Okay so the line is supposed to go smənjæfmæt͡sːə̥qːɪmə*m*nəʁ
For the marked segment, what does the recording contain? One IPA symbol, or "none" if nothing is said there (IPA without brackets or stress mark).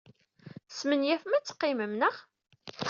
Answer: m